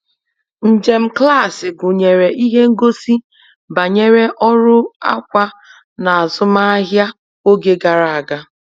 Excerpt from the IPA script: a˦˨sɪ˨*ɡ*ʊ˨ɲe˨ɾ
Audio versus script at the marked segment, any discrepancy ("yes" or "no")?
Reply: no